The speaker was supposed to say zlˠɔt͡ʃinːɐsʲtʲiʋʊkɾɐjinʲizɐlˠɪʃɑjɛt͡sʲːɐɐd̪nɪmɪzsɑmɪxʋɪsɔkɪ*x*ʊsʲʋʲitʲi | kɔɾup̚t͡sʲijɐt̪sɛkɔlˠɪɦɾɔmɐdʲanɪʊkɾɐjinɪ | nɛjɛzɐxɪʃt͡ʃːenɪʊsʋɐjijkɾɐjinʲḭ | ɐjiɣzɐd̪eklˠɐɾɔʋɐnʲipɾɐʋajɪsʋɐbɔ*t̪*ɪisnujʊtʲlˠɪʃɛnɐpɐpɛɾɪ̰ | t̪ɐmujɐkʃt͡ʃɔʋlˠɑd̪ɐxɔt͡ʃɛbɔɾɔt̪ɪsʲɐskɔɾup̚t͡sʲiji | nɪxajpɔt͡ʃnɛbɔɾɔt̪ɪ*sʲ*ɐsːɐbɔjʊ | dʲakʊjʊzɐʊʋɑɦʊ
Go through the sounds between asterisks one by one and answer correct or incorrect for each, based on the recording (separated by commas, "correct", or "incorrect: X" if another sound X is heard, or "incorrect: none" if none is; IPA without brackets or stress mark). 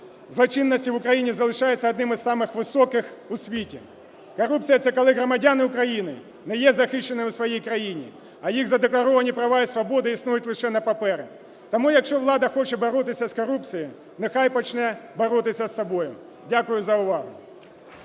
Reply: correct, incorrect: d̪, correct